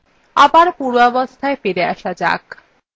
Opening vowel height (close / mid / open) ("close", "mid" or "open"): open